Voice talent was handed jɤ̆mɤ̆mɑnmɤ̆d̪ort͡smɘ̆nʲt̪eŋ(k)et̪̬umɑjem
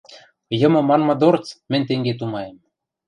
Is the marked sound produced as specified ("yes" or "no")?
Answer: no